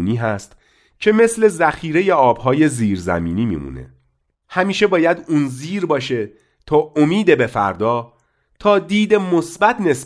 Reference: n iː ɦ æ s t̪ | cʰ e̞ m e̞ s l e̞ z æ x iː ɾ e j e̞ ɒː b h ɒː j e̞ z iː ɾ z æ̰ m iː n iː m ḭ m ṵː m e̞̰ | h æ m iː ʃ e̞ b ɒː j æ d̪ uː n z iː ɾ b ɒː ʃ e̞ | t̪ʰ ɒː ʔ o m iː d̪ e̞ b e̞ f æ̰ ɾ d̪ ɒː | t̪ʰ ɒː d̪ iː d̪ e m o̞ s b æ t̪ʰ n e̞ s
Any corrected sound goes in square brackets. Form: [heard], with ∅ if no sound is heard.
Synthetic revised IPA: n iː ɦ æ s t̪ | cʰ e̞ m e̞ s l e̞ z æ x iː ɾ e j e̞ ɒː b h ɒː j e̞ z iː ɾ z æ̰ m iː n iː m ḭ m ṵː [n] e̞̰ | h æ m iː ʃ e̞ b ɒː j æ d̪ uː n z iː ɾ b ɒː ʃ e̞ | t̪ʰ ɒː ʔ o m iː d̪ e̞ b e̞ f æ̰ ɾ d̪ ɒː | t̪ʰ ɒː d̪ iː d̪ e m o̞ s b æ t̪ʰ n e̞ s